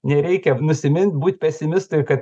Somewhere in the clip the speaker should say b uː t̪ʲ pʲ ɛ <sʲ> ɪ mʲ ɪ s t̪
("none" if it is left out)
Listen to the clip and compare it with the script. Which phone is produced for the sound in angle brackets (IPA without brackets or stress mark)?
sʲ